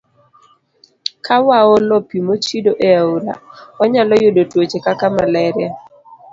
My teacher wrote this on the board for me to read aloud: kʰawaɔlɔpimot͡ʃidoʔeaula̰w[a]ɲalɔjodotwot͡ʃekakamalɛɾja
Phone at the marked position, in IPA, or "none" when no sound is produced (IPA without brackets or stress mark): a